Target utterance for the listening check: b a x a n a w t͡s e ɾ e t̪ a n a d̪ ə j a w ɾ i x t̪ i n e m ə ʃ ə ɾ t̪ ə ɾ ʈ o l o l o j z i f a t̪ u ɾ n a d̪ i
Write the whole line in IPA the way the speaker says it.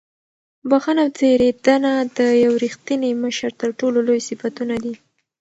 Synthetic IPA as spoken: b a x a n a w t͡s e ɾ e d̪ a n a d̪ ə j a w ɾ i x t̪ i n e m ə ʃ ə ɾ t̪ ə ɾ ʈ o l o l o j s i f a t̪ u n a d̪ i